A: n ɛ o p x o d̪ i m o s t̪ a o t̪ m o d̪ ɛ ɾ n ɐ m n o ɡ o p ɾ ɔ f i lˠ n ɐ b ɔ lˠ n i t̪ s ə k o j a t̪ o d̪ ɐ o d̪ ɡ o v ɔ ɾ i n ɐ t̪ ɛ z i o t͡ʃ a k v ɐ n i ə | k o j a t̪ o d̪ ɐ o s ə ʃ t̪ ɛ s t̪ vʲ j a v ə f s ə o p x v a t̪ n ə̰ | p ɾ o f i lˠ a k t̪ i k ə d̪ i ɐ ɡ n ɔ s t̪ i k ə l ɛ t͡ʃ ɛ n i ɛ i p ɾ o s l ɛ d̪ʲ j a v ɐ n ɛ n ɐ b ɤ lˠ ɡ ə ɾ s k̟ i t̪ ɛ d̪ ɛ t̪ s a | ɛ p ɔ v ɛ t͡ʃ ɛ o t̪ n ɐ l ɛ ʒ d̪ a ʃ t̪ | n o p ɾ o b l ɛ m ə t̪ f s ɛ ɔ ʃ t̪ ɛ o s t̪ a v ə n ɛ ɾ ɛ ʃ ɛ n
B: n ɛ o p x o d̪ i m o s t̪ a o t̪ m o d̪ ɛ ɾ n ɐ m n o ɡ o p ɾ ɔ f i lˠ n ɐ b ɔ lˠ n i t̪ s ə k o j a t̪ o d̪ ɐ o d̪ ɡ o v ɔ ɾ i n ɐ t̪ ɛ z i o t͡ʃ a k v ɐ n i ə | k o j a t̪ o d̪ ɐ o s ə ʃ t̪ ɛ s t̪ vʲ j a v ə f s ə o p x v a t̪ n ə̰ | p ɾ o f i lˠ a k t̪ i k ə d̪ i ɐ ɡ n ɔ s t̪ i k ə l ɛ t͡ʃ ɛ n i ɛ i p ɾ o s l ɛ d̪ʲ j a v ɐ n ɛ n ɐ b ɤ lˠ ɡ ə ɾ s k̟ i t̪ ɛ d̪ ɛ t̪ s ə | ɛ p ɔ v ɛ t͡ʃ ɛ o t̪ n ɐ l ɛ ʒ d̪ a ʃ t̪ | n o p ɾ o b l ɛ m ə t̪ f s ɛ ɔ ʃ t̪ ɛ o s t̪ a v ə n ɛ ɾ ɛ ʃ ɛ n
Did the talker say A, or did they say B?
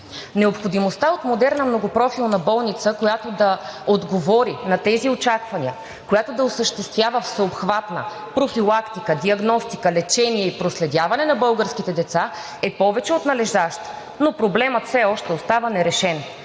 A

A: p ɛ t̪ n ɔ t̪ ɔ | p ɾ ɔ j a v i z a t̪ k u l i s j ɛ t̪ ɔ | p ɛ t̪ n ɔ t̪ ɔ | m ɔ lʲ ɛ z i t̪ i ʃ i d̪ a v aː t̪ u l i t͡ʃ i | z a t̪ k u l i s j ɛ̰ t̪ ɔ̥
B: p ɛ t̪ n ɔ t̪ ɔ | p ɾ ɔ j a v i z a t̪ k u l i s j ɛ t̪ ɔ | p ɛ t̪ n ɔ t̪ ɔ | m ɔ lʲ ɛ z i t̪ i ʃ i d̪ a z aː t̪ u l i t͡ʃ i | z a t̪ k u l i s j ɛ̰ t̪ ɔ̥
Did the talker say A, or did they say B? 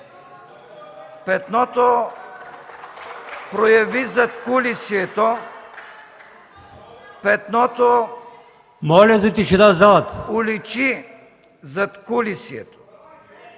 B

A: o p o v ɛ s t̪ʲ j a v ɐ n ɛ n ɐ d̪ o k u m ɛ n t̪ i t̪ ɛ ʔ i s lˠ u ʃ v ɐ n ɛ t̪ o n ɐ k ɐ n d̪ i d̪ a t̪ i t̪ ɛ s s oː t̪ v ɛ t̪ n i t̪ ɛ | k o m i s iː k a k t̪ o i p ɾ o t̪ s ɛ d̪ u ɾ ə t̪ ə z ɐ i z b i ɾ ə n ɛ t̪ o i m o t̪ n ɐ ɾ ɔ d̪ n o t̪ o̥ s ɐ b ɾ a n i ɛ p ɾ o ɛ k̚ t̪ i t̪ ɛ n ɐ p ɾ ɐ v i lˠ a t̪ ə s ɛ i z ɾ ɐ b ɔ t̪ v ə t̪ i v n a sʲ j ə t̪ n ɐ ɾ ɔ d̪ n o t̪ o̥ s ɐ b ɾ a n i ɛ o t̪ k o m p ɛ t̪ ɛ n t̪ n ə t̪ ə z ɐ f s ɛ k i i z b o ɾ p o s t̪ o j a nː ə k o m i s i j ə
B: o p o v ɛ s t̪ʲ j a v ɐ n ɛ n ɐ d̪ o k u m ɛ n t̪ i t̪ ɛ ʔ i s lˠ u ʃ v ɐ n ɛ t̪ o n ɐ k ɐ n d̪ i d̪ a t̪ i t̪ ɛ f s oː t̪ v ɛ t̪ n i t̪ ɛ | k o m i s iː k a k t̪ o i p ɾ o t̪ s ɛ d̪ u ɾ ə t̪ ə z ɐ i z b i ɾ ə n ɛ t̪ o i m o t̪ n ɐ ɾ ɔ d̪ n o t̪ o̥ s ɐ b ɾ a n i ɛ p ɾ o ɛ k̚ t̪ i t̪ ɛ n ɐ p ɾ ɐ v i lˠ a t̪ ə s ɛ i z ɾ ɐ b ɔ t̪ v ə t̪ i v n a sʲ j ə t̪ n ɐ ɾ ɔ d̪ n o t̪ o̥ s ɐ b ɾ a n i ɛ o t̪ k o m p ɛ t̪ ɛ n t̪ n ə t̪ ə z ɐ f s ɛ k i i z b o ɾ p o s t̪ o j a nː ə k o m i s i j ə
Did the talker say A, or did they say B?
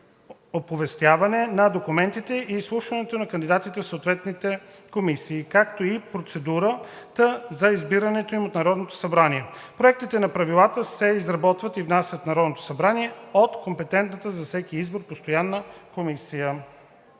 B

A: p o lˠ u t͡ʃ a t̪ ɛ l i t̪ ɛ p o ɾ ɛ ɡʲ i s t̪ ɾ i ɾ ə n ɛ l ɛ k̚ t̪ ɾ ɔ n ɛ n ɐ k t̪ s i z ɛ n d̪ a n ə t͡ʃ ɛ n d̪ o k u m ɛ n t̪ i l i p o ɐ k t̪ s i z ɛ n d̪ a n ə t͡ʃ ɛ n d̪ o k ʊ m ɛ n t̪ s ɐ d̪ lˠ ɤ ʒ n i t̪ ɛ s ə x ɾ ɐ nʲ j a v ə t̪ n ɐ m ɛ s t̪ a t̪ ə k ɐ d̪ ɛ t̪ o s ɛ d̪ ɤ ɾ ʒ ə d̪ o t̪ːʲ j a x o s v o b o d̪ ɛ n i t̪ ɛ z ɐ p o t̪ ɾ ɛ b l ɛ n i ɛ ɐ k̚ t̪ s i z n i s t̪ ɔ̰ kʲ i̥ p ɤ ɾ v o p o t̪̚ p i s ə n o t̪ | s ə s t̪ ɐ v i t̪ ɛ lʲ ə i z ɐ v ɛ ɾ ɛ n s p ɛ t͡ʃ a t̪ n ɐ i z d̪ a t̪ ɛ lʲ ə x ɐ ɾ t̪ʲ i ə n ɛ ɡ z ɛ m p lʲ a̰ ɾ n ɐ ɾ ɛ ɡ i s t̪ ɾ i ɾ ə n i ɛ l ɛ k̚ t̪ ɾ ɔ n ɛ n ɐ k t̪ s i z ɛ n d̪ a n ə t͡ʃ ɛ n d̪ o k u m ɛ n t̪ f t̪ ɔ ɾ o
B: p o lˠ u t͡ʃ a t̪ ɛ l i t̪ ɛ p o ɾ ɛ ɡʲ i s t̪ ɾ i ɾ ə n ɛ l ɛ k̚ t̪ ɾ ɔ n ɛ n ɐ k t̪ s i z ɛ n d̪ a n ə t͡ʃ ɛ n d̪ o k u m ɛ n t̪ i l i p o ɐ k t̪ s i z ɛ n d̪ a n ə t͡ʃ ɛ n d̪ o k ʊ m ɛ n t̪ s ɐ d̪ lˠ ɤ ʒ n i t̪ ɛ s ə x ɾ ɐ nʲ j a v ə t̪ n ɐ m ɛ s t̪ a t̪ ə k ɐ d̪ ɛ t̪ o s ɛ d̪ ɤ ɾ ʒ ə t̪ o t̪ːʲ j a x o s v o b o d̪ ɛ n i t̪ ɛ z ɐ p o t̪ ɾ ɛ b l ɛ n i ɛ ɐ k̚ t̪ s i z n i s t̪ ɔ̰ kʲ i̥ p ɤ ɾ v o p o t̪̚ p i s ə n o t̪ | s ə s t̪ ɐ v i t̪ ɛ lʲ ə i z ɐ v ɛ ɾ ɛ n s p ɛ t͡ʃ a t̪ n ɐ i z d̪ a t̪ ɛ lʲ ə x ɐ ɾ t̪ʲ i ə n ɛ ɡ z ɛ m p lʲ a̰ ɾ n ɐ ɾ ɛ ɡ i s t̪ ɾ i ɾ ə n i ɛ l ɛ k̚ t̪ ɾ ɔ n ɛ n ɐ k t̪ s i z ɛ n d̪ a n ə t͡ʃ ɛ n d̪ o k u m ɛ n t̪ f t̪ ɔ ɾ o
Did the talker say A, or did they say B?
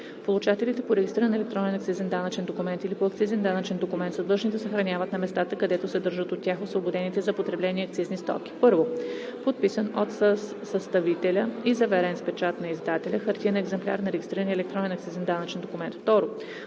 B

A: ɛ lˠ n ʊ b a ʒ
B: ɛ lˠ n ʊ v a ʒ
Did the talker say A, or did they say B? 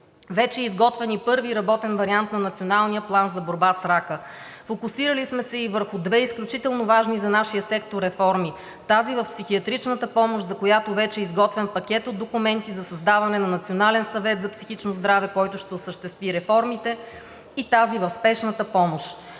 B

